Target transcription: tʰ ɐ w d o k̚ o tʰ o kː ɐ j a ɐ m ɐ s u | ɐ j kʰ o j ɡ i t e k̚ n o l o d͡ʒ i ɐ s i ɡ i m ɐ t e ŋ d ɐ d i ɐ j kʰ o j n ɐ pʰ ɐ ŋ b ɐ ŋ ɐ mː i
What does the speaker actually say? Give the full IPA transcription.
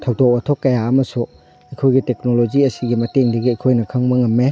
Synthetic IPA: tʰ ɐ w d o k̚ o tʰ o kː ɐ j a ɐ m ɐ s u | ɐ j kʰ o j ɡ i t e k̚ n o l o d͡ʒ i ɐ s i ɡ i m ɐ t e ŋ d ɐ ɡ i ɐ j kʰ o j n ɐ kʰ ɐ ŋ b ɐ ŋ ɐ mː e